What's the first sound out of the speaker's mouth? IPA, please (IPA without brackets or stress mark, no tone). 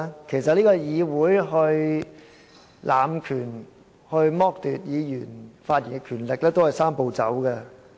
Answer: kʰ